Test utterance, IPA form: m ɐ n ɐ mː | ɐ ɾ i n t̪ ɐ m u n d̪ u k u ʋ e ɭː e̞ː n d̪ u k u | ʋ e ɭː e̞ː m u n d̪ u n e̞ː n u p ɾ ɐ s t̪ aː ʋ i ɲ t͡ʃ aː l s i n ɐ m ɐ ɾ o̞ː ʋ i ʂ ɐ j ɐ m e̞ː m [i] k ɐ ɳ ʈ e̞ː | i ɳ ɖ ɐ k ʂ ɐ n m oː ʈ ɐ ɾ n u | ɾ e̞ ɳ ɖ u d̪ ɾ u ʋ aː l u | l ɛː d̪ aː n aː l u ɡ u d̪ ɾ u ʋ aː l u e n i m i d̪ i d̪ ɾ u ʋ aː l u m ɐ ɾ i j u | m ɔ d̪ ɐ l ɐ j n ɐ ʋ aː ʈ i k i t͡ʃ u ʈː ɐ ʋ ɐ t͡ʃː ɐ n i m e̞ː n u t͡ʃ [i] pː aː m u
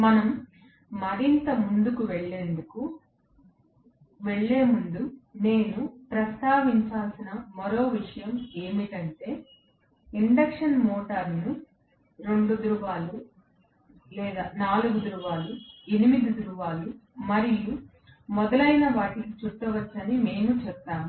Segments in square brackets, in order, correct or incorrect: correct, incorrect

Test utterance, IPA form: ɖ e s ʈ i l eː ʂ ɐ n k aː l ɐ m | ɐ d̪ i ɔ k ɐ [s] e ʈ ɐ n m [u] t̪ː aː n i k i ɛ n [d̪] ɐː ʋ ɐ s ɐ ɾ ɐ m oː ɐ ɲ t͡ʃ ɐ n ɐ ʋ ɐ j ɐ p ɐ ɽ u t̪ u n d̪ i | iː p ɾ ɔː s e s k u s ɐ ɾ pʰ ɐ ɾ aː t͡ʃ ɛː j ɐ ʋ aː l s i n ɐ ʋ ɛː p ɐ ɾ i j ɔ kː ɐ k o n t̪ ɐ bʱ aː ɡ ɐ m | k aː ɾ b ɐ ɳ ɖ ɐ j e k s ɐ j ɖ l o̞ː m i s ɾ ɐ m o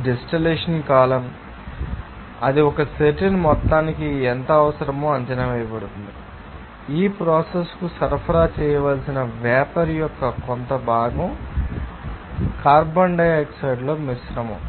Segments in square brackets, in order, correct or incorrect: correct, incorrect, incorrect

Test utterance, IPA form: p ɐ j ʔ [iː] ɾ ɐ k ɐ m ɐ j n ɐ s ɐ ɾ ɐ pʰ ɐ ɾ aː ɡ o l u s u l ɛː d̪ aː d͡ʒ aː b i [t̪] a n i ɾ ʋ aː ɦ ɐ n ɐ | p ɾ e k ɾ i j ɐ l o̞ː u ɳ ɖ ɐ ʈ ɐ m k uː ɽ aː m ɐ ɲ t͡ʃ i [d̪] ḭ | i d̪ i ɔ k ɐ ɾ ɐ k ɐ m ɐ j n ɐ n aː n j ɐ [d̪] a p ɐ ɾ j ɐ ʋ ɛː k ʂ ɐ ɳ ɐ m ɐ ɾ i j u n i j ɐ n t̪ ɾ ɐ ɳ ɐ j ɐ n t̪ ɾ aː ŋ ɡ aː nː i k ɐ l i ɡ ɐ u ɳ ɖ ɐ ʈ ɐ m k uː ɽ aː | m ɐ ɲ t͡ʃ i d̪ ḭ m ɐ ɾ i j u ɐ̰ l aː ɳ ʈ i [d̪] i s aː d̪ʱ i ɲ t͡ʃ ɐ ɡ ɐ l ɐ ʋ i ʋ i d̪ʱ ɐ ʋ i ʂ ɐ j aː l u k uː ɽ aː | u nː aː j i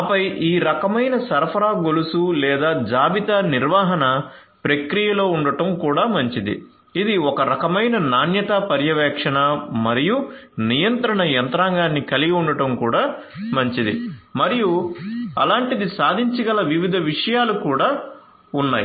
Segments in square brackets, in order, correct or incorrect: correct, correct, correct, incorrect, correct

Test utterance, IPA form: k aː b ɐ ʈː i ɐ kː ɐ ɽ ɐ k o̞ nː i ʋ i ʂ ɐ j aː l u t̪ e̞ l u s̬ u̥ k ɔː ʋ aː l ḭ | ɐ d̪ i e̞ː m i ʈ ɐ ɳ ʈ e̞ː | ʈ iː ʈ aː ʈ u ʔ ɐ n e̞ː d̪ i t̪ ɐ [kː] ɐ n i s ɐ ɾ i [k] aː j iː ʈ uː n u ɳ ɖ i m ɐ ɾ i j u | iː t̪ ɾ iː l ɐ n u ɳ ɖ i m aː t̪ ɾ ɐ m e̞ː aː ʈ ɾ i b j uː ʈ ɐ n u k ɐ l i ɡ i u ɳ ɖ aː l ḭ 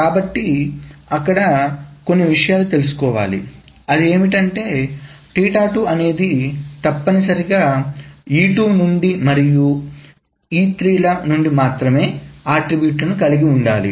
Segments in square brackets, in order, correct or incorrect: incorrect, incorrect

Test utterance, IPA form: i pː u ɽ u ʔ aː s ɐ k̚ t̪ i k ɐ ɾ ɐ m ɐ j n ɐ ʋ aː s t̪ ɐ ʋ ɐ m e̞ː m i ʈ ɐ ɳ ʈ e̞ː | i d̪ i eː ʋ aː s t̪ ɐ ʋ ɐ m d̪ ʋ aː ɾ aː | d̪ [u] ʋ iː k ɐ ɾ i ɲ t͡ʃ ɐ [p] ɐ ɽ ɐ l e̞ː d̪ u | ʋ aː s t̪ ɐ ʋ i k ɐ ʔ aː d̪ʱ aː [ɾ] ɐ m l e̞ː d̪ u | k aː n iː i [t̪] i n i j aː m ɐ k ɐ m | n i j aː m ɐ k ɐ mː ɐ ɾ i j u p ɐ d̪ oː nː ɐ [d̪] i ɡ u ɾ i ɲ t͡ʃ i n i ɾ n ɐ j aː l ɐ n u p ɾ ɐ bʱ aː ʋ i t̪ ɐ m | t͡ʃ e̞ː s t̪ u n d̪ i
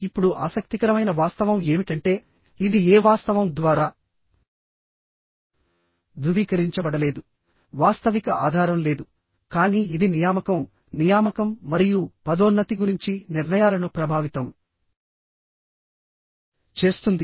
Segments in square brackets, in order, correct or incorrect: correct, incorrect, correct, incorrect, incorrect

